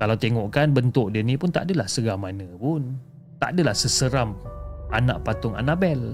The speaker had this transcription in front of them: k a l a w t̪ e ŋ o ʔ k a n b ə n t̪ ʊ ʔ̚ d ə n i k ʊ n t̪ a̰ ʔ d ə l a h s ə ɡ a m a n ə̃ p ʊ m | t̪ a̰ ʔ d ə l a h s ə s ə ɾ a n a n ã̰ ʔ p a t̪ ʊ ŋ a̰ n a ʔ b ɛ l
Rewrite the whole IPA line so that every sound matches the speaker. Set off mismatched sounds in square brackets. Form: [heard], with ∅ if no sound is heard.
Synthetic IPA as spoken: k a l a w t̪ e ŋ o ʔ k a n b ə n t̪ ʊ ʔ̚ d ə n i [p] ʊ n t̪ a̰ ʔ d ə l a h s ə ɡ a m a n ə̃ p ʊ [n] | t̪ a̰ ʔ d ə l a h s ə s ə ɾ a [m] a n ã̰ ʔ p a t̪ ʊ ŋ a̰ n a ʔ b ɛ l